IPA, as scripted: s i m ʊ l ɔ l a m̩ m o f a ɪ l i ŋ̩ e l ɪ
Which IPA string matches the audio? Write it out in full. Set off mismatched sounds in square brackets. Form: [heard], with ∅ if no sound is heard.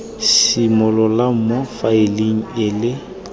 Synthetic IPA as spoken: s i m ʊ l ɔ l a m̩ m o f a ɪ l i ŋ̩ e l ɪ